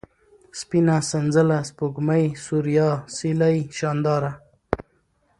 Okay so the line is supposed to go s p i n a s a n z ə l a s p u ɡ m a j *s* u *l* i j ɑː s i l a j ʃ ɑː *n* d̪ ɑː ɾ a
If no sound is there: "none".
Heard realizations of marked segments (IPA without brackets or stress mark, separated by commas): s, ɾ, n